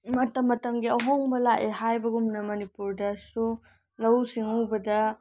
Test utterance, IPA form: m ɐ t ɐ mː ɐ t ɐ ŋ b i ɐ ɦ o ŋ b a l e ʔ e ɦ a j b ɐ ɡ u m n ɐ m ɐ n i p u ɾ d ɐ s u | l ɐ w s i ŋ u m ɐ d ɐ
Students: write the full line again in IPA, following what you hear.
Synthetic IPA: m ɐ t ɐ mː ɐ t ɐ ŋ ɡ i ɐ ɦ o ŋ b ɐ l a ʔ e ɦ a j b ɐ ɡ u m n ɐ m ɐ n i p u ɾ d ɐ s u | l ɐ w s i ŋ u b ɐ d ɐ

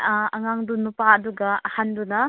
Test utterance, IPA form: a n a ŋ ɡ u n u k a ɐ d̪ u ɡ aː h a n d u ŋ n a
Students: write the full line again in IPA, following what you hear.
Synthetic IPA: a ŋ a ŋ d u n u p a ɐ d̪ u ɡ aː h a n d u n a

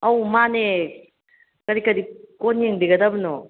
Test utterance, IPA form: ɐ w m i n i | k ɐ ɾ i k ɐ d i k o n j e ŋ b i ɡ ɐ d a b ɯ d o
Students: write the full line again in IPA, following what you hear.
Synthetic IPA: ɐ w m a n e | k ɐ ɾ i k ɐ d i k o n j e ŋ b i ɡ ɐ d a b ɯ n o

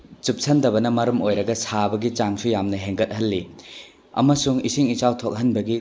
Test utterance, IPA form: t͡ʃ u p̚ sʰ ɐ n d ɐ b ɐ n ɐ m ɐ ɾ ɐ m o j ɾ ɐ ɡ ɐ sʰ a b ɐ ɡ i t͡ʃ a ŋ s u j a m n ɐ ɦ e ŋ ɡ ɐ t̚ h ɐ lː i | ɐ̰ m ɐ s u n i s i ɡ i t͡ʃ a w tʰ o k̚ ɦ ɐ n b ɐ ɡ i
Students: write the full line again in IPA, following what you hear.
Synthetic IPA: t͡ʃ u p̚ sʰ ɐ n d ɐ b ɐ n ɐ m ɐ ɾ ɐ m o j ɾ ɐ ɡ ɐ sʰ a b ɐ ɡ i t͡ʃ a ŋ s u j a m n ɐ ɦ e ŋ ɡ ɐ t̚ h ɐ lː i | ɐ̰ m ɐ s u ŋ i s i ŋ i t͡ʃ a w tʰ o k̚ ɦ ɐ n b ɐ ɡ i

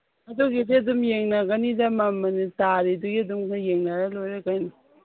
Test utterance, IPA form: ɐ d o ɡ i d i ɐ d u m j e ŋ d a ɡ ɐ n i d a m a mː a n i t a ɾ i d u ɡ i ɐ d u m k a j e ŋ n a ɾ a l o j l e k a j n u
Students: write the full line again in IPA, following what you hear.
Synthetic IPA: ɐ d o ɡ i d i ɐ d u m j e ŋ n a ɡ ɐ n i d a m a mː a n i t a ɾ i d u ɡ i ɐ d u m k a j e ŋ n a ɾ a l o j ɾ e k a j n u

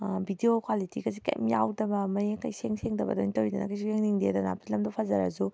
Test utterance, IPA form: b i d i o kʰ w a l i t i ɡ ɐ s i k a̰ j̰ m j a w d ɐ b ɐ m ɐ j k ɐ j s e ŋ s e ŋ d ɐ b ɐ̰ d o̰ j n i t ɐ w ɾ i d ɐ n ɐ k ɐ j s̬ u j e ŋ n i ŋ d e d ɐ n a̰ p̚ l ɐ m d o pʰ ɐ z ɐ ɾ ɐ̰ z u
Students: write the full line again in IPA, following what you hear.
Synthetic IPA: b i d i o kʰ w a l i t i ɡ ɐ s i k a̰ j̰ m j a w d ɐ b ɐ m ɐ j k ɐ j s e ŋ s e ŋ d ɐ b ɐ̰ d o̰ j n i t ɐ w ɾ i d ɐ n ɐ k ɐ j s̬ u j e ŋ n i ŋ d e d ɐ n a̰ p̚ l ɐ m d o pʰ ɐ z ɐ ɾ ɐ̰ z u

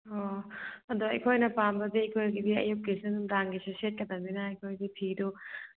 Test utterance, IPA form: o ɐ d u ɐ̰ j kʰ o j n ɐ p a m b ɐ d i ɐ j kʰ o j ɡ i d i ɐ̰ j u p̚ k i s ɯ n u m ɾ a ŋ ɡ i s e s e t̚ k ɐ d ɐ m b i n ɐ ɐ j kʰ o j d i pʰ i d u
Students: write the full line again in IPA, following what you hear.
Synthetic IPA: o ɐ d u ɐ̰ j kʰ o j n ɐ p a m b ɐ d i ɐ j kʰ o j ɡ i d i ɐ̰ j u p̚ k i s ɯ n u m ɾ a ŋ ɡ i s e s e t̚ k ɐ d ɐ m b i n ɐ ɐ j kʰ o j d i pʰ i d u

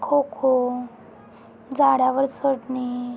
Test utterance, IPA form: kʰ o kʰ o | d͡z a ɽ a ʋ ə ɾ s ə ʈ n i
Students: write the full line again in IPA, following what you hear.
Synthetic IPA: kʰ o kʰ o | d͡z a ɽ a ʋ ə ɾ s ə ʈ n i

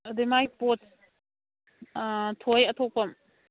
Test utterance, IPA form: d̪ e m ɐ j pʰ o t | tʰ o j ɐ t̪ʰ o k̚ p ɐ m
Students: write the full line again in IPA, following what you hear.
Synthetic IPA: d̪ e m a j p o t | tʰ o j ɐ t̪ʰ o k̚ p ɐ m

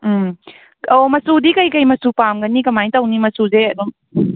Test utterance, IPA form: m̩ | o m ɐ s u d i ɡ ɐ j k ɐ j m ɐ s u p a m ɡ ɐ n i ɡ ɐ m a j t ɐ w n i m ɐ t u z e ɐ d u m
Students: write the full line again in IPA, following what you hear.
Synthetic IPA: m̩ | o m ɐ s u d i k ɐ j k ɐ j m ɐ s u p a m ɡ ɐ n i k ɐ m a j t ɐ w n i m ɐ s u z e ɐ d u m

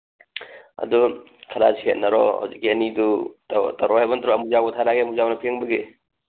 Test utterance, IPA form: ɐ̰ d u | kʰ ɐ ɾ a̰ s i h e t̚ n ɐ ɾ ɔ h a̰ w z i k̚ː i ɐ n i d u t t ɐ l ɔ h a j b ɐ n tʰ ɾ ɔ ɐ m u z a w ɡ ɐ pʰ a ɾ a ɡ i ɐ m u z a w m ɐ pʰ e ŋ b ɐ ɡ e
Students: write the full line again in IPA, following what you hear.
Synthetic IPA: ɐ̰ d u | kʰ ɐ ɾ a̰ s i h e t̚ n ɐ ɾ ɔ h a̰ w z i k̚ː i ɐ n i d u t t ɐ ɾ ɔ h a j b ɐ n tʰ ɾ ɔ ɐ m u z a w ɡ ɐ tʰ a ɾ a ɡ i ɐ m u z a w n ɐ pʰ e ŋ b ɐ ɡ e

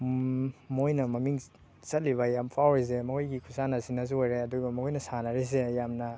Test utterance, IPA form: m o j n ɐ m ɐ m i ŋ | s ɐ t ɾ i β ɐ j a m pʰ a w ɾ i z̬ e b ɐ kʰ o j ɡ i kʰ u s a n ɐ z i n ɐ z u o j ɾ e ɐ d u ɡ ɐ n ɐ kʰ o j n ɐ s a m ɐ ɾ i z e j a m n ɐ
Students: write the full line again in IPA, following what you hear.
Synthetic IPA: m o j n ɐ m ɐ m i ŋ | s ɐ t l i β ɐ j a m pʰ a w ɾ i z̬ e m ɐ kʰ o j ɡ i kʰ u s a n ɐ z i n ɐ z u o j ɾ e ɐ d u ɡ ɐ m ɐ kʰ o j n ɐ s a n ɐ ɾ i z e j a m n ɐ

